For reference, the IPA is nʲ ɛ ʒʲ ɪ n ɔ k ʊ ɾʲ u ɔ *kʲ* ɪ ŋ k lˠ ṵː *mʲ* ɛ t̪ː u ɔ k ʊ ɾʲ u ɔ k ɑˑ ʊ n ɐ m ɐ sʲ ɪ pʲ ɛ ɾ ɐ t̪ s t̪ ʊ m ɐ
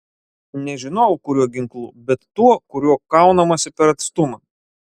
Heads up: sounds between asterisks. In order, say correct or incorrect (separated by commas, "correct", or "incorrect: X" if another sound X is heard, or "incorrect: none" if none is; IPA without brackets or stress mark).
incorrect: ɡʲ, incorrect: bʲ